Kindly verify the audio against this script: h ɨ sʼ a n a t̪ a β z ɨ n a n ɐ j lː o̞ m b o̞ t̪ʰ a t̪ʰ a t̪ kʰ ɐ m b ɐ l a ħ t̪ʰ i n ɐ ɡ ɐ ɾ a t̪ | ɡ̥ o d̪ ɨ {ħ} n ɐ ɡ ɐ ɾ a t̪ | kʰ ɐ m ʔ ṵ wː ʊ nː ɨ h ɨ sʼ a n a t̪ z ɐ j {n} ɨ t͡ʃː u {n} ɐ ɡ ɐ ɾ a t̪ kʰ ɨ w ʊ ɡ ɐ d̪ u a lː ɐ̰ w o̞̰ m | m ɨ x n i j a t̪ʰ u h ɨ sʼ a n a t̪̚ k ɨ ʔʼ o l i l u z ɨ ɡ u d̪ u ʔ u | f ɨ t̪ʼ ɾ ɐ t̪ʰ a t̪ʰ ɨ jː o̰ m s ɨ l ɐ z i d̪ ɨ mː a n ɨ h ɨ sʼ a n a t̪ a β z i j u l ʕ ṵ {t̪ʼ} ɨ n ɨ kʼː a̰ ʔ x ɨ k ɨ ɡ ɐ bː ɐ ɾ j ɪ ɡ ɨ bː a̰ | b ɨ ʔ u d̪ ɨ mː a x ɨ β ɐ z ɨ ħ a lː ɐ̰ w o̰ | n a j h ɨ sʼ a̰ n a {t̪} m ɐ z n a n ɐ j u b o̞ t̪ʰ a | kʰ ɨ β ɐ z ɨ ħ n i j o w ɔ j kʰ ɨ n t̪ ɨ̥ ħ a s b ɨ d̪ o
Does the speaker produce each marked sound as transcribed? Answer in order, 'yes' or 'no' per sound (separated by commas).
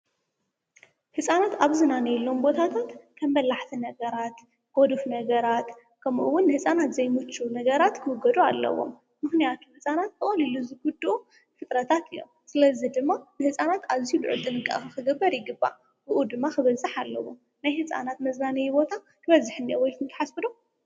no, no, yes, yes, yes